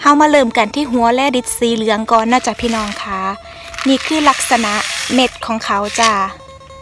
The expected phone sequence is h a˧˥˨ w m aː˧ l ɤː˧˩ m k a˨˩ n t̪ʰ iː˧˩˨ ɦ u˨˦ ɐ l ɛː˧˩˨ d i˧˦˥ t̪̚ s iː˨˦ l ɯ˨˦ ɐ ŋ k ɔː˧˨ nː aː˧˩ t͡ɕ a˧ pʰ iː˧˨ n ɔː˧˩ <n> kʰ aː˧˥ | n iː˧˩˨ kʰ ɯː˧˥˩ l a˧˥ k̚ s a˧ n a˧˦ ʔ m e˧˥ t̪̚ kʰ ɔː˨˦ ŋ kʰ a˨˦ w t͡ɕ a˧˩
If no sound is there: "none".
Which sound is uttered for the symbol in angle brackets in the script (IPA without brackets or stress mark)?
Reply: ŋ